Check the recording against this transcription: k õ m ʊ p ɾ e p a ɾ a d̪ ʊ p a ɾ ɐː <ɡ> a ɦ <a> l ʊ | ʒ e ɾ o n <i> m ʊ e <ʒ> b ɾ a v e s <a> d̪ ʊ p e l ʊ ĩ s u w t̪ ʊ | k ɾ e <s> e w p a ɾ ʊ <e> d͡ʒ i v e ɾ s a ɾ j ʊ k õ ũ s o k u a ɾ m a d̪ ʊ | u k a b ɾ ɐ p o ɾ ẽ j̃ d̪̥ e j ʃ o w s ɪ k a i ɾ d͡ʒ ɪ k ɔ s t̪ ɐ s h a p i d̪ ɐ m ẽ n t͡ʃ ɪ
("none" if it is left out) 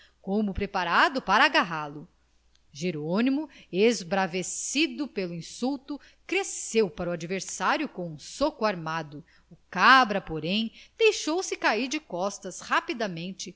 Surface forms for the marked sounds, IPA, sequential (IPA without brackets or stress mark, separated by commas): ɡ, a, i, z, i, s, a